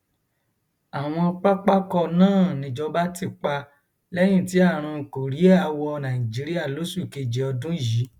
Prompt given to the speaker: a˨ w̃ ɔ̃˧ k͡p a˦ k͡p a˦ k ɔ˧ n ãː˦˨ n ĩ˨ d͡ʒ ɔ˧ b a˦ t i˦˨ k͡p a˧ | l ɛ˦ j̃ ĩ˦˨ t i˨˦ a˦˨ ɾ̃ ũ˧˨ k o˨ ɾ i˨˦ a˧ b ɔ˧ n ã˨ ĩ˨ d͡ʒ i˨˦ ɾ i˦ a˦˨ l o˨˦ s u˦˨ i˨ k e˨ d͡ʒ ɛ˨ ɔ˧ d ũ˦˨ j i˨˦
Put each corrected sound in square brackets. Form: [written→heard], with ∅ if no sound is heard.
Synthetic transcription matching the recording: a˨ w̃ ɔ̃˧ k͡p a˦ k͡p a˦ k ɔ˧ n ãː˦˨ n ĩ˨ d͡ʒ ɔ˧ b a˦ t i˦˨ k͡p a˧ | l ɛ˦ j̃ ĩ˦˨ t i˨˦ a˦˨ ɾ̃ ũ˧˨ k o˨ ɾ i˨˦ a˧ [b→w] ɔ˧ n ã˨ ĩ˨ d͡ʒ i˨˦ ɾ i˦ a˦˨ l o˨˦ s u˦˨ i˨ k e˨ d͡ʒ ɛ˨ ɔ˧ d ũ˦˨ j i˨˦

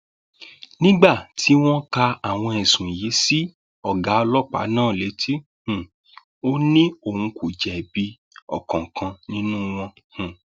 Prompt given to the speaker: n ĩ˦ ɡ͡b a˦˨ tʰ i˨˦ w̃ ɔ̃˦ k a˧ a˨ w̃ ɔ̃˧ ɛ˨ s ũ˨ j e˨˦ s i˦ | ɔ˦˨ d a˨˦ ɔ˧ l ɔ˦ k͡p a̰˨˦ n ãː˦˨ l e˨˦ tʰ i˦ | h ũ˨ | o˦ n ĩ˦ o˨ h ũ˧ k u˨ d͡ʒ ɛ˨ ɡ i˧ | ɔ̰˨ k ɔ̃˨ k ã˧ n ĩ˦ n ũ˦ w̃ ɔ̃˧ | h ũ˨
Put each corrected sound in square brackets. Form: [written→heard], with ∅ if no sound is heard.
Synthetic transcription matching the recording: n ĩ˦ ɡ͡b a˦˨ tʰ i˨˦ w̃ ɔ̃˦ k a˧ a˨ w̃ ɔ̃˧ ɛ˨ s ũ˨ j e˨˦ s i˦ | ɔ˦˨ [d→ɡ] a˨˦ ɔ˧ l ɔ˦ k͡p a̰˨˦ n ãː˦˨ l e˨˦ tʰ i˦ | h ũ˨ | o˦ n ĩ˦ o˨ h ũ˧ k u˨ d͡ʒ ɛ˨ [ɡ→b] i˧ | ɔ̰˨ k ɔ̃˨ k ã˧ n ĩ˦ n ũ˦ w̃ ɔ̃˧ | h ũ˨

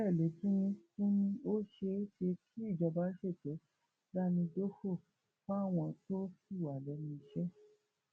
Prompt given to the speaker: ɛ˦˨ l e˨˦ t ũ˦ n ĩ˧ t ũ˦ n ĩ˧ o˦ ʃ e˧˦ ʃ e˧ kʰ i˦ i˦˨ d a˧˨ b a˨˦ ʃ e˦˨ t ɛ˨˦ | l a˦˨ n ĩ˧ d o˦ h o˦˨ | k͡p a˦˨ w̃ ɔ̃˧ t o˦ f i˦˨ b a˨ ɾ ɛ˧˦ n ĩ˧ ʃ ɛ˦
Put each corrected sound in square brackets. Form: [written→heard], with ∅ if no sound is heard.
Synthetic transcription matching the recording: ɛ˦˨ l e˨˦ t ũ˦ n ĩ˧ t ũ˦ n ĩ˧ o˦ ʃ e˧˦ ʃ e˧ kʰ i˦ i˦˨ [d→d͡ʒ] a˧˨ b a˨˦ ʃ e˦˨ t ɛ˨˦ | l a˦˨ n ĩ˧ d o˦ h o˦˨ | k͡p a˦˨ w̃ ɔ̃˧ t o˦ f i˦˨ [b→w] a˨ [ɾ→l] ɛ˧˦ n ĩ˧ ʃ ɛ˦

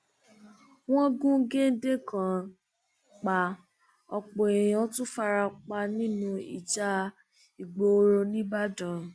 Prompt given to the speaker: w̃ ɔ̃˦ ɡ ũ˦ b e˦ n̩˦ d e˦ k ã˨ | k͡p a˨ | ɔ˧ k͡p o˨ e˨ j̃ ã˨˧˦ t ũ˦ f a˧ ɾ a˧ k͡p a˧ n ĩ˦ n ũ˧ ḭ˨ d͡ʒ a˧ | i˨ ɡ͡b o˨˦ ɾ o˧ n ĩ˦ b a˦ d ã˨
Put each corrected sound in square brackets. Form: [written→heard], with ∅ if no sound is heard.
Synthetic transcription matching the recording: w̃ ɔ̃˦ ɡ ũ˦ [b→ɡ] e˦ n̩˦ d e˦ k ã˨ | k͡p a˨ | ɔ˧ k͡p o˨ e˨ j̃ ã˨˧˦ t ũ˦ f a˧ ɾ a˧ k͡p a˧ n ĩ˦ n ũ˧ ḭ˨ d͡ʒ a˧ | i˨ ɡ͡b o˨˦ ɾ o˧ n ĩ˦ b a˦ d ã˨

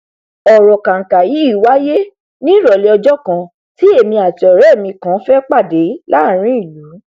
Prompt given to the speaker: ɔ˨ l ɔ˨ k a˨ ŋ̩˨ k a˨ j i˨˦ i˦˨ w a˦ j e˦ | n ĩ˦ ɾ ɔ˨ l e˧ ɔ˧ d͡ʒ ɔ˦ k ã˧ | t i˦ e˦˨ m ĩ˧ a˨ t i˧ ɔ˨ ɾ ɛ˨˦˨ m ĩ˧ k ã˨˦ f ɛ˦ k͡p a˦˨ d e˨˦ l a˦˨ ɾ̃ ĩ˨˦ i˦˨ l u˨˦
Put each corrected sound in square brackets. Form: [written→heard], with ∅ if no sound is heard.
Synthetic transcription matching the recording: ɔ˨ [l→ɾ] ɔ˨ k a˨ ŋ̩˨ k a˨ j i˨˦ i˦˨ w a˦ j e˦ | n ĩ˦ ɾ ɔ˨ l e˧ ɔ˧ d͡ʒ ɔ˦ k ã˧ | t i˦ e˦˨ m ĩ˧ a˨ t i˧ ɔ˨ ɾ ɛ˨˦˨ m ĩ˧ k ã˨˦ f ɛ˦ k͡p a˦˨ d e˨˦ l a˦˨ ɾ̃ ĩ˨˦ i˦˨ l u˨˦

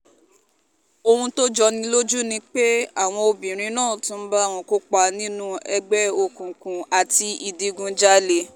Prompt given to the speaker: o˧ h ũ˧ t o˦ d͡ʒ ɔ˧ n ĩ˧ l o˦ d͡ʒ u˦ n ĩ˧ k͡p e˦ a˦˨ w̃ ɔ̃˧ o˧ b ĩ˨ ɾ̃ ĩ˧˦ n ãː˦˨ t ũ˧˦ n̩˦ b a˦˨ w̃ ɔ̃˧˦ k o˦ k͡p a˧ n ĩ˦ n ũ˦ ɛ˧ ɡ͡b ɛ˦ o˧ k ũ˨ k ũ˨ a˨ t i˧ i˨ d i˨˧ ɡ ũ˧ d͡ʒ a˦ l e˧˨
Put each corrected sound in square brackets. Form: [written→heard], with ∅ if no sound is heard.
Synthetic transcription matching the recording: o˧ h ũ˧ t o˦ d͡ʒ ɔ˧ n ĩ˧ l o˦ d͡ʒ u˦ n ĩ˧ k͡p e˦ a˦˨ w̃ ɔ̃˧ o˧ b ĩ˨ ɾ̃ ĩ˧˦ n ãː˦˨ t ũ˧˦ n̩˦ b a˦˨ w̃ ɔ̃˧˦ k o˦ k͡p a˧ n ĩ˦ n ũ˦ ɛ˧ ɡ͡b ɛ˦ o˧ k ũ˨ k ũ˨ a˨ t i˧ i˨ d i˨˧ ɡ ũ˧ d͡ʒ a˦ l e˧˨

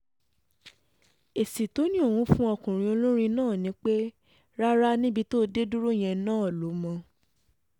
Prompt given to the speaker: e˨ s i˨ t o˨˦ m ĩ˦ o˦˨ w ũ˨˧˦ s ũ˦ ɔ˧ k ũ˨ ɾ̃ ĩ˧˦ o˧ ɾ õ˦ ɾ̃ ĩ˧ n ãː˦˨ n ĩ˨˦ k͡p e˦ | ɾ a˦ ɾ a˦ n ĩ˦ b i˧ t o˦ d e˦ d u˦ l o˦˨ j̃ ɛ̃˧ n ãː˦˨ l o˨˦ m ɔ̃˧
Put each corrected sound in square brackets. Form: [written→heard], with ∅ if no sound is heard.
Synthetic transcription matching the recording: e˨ s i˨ t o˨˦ [m→n] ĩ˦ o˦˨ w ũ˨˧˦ [s→f] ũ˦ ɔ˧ k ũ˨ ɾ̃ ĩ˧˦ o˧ [ɾ→l] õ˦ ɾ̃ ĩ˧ n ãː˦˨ n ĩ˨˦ k͡p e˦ | ɾ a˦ ɾ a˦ n ĩ˦ b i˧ t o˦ d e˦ d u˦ [l→ɾ] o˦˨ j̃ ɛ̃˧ n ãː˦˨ l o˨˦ m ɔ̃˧

